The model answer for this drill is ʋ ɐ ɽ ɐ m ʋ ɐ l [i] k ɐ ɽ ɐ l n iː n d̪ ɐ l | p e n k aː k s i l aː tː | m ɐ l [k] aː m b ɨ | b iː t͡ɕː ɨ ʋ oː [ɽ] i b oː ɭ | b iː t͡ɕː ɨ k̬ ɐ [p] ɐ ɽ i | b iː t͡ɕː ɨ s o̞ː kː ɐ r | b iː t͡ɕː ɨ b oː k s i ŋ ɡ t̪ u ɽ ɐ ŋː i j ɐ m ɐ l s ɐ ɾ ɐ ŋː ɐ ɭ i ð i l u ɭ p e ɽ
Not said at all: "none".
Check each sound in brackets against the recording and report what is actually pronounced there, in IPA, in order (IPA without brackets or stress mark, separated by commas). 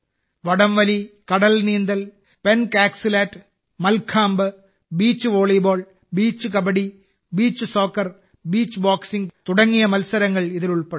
i, kʰ, ɭ, b